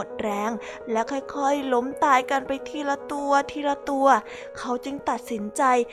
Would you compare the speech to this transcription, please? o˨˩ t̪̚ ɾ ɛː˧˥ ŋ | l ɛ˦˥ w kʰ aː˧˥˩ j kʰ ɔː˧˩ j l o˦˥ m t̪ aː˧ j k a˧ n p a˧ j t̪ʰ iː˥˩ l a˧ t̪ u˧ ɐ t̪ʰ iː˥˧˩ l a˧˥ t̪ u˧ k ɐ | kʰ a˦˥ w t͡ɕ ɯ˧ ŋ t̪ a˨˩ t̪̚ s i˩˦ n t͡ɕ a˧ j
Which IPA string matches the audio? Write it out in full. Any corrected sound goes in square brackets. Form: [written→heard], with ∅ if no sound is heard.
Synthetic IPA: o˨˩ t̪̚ ɾ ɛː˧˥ ŋ | l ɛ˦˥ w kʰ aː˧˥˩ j kʰ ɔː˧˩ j l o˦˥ m t̪ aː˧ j k a˧ n p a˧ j t̪ʰ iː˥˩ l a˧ t̪ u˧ ɐ t̪ʰ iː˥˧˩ l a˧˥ t̪ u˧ [k→∅] ɐ | kʰ a˦˥ w t͡ɕ ɯ˧ ŋ t̪ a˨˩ t̪̚ s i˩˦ n t͡ɕ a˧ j